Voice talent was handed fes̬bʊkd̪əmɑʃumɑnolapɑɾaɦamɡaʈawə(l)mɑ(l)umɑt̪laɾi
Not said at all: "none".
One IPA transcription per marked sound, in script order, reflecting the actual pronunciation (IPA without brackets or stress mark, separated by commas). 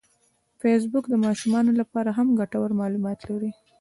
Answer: ɾ, l